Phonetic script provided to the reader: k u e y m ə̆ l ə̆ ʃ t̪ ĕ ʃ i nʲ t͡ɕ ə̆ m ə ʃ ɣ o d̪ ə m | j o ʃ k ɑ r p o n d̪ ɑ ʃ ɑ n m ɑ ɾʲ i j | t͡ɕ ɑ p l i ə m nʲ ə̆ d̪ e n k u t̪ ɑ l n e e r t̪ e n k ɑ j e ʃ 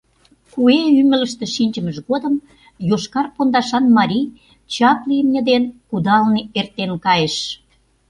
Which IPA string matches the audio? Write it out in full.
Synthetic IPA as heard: k u e y m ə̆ l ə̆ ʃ t̪ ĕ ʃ i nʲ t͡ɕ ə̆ m ə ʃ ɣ o d̪ ə m | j o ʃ k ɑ r p o n d̪ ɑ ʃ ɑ n m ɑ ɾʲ i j | t͡ɕ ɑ p l i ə m nʲ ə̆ d̪ e n k u d̪ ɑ l n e e r t̪ e n k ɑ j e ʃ